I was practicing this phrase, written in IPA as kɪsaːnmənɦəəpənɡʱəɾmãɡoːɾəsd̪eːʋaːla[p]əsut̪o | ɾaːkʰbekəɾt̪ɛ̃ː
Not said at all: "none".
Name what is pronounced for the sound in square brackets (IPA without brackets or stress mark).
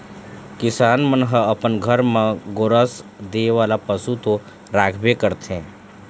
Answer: p